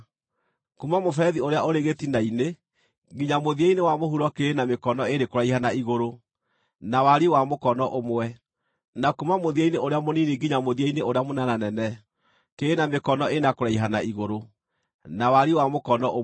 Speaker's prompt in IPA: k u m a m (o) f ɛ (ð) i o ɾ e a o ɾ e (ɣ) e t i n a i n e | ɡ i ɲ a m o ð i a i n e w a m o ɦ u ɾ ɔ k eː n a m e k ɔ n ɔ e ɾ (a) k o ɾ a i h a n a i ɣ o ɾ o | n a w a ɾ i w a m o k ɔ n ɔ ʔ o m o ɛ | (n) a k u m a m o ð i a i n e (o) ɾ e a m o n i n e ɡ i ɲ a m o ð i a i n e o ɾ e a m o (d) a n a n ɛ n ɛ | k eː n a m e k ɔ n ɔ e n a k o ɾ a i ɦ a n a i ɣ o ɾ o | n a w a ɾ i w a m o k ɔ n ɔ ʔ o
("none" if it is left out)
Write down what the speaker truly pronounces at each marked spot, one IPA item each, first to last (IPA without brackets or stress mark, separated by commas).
o, ð, ɣ, e, n, o, n